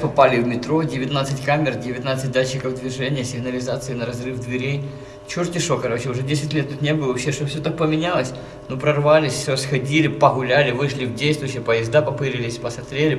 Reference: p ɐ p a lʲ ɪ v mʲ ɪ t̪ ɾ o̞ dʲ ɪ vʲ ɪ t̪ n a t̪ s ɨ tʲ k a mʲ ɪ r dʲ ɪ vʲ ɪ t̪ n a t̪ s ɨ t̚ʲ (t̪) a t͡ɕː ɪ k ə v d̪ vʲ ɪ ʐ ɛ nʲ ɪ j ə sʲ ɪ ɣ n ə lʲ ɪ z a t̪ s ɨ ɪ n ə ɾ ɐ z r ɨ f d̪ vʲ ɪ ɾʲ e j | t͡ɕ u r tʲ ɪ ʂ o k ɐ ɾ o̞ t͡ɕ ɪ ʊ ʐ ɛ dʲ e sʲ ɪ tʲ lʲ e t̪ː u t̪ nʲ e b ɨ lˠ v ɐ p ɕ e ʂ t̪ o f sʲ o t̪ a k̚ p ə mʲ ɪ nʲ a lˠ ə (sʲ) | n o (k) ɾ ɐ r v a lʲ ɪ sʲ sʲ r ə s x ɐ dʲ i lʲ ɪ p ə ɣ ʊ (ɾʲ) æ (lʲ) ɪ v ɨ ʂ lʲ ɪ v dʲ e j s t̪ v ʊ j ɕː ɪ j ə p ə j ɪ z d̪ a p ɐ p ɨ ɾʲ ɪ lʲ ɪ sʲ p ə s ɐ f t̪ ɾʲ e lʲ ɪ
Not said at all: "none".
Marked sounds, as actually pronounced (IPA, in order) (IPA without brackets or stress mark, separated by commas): d̪, sʲ, p, lʲ, lʲ